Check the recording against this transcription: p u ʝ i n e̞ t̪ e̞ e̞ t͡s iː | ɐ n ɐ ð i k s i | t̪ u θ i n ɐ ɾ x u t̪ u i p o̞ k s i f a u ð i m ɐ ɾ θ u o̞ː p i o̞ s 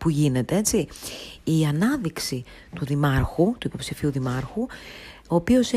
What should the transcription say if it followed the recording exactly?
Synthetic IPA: p u ʝ i n e̞ t̪ e̞ e̞ t͡s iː | ɐ n ɐ ð i k s i | t̪ u ð i m ɐ ɾ x u t̪ u i p o̞ p s i f i u ð i m ɐ ɾ x u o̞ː p i o̞ s